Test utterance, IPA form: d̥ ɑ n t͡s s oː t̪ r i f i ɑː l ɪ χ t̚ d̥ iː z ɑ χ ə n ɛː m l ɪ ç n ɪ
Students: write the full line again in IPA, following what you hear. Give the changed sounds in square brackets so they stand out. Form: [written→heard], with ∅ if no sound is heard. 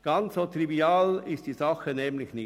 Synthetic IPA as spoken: [d̥→ɡ̥] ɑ n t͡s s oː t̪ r i [f→v] i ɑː l ɪ [χ→s] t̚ d̥ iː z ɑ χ ə n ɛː m l ɪ ç n ɪ